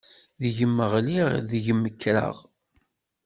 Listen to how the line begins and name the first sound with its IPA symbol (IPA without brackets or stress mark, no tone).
ð